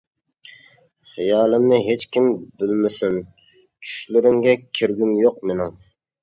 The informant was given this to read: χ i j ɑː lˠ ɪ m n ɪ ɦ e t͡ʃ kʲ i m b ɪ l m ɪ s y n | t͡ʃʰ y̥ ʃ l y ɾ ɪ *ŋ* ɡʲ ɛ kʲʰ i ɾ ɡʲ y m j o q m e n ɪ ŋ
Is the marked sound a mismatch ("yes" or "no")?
no